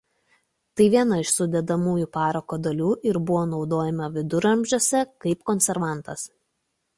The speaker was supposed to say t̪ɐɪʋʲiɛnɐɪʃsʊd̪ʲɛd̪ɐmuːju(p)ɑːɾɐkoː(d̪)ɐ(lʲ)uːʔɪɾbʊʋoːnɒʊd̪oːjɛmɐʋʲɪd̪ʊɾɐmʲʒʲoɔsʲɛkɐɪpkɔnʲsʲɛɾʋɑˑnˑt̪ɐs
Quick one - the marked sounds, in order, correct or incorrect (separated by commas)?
correct, correct, correct